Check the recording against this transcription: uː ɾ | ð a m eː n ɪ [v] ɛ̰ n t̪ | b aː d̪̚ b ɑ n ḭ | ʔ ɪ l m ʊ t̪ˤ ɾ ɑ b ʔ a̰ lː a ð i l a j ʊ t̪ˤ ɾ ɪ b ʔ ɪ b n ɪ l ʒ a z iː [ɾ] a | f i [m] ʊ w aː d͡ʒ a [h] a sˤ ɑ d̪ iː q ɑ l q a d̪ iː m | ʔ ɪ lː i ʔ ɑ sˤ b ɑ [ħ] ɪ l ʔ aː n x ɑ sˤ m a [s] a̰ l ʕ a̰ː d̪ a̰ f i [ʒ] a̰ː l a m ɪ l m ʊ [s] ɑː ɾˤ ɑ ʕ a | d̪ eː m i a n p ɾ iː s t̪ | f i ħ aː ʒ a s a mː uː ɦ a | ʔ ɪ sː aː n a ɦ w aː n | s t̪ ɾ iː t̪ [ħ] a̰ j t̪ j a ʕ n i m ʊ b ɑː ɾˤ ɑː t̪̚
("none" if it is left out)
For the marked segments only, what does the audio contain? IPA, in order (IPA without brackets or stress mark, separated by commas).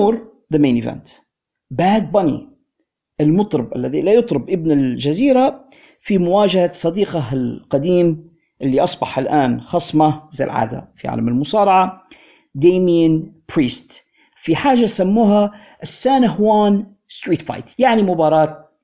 v, ɾ, m, h, ħ, z, ʕ, s, f